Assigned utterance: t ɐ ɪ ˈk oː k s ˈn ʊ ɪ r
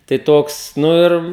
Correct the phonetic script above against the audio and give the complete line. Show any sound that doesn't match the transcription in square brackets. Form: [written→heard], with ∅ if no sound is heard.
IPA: t ɐ ɪ [ˈk→ˈt] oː k s ˈn ʊ ɪ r

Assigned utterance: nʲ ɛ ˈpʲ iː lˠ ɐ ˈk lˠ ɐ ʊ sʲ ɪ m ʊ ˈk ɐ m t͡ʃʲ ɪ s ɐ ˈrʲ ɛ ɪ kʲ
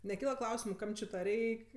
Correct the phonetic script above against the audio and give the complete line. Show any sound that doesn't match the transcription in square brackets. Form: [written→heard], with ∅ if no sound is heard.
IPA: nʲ ɛ [ˈpʲ→ˈkʲ] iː lˠ ɐ ˈk lˠ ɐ ʊ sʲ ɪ m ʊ ˈk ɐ m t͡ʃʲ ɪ [s→t] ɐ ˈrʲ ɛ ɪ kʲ

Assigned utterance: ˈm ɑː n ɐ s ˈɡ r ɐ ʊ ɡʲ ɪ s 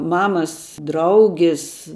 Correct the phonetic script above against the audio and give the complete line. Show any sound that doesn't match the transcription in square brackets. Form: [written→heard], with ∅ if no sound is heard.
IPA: ˈm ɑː [n→m] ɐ s [ˈɡ→ˈd] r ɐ ʊ ɡʲ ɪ s

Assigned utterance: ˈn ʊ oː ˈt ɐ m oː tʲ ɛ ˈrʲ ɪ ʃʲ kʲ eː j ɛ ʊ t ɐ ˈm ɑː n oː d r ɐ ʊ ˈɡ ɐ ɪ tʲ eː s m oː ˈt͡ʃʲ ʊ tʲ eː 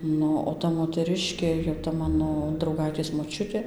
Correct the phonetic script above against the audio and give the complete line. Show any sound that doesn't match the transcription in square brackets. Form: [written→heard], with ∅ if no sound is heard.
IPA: ˈn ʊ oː ˈt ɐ m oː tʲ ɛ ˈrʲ ɪ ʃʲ kʲ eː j ɛ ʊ t ɐ ˈm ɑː n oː d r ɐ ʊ ˈɡ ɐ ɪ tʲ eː s m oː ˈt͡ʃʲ ʊ tʲ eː

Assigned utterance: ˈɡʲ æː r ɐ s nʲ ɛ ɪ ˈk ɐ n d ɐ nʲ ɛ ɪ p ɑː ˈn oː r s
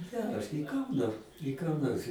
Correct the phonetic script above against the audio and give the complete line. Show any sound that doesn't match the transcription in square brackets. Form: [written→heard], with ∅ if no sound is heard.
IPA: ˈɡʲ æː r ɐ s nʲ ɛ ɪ ˈk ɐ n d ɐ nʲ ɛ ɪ [p→k] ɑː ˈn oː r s

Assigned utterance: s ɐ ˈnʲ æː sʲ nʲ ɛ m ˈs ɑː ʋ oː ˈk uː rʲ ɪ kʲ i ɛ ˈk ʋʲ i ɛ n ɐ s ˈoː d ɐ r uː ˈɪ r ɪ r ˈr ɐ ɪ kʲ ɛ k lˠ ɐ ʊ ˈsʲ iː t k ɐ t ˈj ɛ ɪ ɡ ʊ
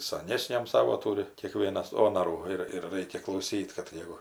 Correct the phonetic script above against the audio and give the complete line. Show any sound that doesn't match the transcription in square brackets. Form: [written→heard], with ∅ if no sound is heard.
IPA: s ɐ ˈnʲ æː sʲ nʲ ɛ m ˈs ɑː ʋ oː [ˈk→ˈt] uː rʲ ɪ kʲ i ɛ ˈk ʋʲ i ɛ n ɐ s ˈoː [d→n] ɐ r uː ˈɪ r ɪ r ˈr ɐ ɪ kʲ ɛ k lˠ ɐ ʊ ˈsʲ iː t k ɐ t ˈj ɛ ɪ ɡ ʊ

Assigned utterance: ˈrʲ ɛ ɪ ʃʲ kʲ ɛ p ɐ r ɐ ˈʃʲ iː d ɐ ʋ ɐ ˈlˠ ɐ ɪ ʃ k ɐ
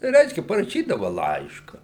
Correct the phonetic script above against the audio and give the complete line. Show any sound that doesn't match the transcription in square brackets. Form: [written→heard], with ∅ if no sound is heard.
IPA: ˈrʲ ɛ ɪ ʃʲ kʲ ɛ p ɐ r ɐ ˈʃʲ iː d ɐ ʋ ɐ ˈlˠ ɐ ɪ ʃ k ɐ

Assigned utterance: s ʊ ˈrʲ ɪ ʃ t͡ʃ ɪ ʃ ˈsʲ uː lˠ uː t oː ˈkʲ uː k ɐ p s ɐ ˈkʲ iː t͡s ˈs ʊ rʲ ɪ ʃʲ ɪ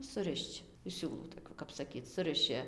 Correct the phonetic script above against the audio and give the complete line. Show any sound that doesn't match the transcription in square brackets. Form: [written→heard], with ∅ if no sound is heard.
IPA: s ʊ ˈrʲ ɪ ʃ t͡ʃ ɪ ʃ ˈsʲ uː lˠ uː t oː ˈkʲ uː k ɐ p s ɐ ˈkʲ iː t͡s ˈs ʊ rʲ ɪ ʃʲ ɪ

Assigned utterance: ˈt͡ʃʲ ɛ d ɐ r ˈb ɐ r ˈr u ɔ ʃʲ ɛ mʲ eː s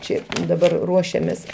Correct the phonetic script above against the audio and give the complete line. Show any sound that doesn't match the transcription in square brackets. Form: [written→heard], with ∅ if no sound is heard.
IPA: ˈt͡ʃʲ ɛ d ɐ [r→∅] ˈb ɐ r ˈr u ɔ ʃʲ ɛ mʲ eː s

